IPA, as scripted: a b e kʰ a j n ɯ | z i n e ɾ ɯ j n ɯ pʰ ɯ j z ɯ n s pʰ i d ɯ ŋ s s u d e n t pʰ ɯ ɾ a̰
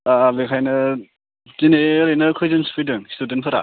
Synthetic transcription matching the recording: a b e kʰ a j n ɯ | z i n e ɾ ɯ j n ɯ kʰ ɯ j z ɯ n s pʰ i d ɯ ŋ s t u d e n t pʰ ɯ ɾ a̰